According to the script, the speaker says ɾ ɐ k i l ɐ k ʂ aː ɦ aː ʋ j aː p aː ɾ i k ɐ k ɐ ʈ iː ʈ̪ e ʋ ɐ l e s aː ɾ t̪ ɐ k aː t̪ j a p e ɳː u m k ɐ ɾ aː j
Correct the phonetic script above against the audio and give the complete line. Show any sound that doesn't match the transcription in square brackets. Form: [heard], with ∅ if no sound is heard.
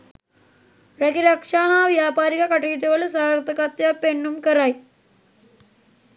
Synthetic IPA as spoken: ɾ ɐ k i [ɾ] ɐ k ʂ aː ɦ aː ʋ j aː p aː ɾ i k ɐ k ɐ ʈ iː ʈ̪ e ʋ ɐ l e s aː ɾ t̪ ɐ k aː t̪ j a p e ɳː u m k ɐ ɾ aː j